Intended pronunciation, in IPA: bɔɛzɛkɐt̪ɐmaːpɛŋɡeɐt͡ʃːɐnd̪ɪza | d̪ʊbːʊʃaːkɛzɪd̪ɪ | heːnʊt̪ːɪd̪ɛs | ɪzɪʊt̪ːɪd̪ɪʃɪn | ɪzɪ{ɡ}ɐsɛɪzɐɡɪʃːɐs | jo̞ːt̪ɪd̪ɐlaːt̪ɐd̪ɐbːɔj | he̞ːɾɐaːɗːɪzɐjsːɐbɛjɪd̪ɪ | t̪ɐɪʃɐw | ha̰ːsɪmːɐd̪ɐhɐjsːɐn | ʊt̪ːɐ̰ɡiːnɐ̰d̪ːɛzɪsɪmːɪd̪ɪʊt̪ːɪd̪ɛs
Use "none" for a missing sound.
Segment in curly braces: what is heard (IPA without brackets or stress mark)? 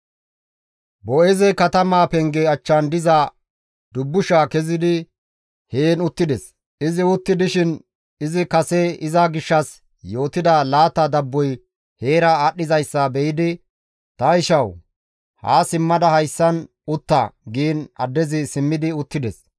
k